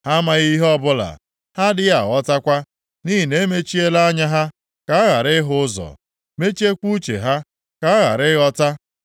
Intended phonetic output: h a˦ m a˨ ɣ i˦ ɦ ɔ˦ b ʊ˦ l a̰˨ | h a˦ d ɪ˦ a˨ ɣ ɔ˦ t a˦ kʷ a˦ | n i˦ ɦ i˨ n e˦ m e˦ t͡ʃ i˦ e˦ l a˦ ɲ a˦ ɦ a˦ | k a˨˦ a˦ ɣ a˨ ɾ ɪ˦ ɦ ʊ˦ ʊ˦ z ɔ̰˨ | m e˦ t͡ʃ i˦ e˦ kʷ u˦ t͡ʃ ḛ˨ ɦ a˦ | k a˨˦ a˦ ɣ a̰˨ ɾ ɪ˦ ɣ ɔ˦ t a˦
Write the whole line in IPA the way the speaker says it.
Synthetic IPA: h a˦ m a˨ ɣ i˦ ɦ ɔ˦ b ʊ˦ l a̰˨ | h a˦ d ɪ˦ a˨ ɣ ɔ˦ t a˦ kʷ a˦ | n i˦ ɦ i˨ n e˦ m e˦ t͡ʃ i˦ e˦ l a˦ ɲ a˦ ɦ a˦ | k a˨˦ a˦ ɣ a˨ ɾ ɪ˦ ɦ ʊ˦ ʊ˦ z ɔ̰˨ | m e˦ t͡ʃ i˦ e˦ kʷ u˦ t͡ʃ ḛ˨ ɦ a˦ | k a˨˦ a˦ ɣ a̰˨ ɾ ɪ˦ ɣ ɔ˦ t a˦

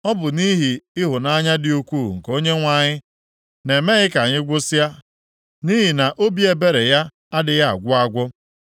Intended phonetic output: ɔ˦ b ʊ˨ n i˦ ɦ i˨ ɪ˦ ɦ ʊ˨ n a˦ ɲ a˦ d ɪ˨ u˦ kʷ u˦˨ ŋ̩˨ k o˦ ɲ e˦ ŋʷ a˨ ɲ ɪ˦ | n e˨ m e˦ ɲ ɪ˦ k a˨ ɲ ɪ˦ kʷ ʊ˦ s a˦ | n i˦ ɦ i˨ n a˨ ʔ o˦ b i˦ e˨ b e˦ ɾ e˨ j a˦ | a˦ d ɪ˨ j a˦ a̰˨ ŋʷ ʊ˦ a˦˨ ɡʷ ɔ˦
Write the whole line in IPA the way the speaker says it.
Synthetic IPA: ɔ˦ b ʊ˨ n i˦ ɦ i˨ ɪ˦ ɦ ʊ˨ n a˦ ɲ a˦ d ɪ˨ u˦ kʷ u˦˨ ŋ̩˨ k o˦ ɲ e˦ ŋʷ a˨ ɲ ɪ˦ | n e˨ m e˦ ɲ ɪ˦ k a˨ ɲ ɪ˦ ɡʷ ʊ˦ s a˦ | n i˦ ɦ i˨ n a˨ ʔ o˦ b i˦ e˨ b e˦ ɾ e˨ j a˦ | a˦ d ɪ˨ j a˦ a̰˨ ɡʷ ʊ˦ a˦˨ ɡʷ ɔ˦

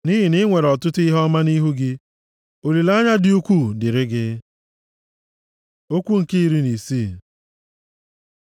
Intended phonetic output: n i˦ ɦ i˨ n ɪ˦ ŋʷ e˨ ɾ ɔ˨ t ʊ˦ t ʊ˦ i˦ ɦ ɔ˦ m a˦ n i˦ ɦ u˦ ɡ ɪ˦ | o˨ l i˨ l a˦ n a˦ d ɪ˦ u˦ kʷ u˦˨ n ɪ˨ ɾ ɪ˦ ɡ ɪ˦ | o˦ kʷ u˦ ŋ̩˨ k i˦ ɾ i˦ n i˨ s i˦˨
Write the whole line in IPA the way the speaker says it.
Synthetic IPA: n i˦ ɦ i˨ n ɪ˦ ŋʷ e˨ ɾ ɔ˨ t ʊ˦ t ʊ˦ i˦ ɦ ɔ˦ m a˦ n i˦ ɦ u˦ ɡ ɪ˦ | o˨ l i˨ l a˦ ɲ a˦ d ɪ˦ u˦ kʷ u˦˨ d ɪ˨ ɾ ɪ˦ ɡ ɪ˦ | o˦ kʷ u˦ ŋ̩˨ k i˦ ɾ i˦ n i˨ s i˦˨

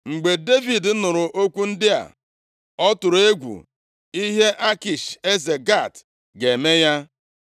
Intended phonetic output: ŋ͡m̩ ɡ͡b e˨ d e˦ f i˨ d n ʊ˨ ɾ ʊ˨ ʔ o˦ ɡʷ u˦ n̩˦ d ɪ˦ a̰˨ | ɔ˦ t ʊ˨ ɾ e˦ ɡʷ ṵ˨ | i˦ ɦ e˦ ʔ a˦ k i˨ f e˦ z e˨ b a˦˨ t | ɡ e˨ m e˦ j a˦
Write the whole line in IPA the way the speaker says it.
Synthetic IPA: ŋ͡m̩ ɡ͡b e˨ d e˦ v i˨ d n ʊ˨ ɾ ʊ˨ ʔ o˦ kʷ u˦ n̩˦ d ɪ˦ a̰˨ | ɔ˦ t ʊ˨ ɾ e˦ ɡʷ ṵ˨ | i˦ ɦ e˦ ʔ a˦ k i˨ ʃ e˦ z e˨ ɡ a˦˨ t | ɡ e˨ m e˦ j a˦

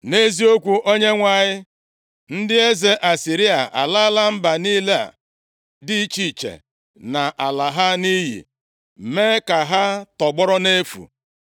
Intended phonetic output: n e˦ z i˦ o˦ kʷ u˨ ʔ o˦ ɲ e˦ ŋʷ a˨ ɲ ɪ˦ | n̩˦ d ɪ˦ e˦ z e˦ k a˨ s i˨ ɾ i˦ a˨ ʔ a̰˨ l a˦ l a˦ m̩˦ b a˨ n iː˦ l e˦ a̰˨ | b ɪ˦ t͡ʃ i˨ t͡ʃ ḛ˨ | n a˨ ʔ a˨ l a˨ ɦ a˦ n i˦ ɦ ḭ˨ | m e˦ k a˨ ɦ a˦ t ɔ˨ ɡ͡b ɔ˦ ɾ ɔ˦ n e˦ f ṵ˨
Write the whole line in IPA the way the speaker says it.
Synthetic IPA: n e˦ z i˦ o˦ kʷ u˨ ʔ o˦ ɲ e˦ ŋʷ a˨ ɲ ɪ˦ | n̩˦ d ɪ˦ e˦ z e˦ ʔ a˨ s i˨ ɾ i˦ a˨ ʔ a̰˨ l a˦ l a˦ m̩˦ b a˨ n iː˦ l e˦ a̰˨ | d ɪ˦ t͡ʃ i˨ t͡ʃ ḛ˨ | n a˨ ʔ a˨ l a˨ ɦ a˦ n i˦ ɦ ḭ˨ | m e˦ k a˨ ɦ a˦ t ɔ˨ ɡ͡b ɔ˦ ɾ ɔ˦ n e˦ f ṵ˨

